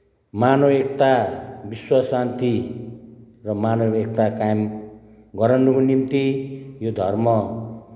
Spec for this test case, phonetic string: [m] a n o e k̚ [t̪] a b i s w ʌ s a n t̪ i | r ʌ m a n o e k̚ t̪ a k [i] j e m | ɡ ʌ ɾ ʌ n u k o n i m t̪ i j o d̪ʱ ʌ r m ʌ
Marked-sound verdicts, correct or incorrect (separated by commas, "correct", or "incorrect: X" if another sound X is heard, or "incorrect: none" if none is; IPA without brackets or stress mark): correct, correct, incorrect: a